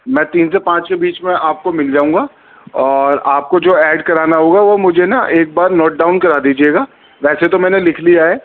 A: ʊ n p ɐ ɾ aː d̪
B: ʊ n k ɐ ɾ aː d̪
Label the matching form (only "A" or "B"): B